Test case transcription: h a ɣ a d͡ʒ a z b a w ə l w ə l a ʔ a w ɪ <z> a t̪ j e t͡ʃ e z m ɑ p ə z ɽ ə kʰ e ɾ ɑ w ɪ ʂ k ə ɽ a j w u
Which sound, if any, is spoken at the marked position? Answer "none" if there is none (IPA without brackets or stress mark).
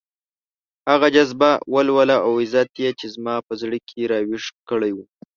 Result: z